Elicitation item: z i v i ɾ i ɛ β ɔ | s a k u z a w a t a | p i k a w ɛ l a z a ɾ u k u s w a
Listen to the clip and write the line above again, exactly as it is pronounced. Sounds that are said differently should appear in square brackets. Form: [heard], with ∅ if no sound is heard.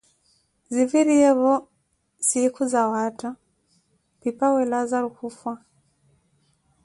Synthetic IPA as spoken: z i v i ɾ i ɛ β ɔ | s [i] k u z a w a t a | p i [p] a w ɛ l a z a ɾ u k u [f] w a